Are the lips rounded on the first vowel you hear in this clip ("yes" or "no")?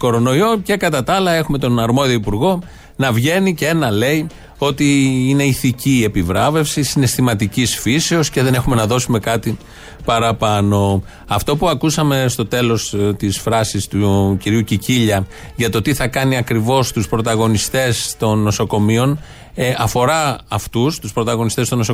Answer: yes